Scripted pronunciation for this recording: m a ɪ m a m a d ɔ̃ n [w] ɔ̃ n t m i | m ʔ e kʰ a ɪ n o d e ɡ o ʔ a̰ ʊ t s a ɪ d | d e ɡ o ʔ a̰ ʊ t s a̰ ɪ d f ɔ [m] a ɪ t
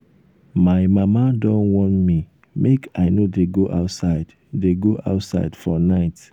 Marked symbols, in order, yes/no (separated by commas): yes, no